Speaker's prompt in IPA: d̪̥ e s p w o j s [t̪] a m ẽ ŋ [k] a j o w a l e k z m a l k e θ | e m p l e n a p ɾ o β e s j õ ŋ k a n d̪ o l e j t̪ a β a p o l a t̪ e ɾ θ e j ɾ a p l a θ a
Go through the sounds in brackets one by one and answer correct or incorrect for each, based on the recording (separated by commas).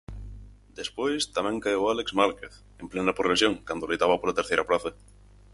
correct, correct